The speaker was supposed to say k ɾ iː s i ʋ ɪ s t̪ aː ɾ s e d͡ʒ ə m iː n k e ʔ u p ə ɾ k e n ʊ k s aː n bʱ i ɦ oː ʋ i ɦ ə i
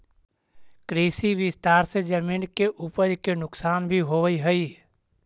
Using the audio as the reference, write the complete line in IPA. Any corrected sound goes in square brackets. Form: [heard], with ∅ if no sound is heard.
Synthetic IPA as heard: k ɾ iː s i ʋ ɪ s t̪ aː ɾ s e d͡ʒ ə m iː n k e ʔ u p ə ɾ k e n ʊ k s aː n bʱ i ɦ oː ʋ i ɦ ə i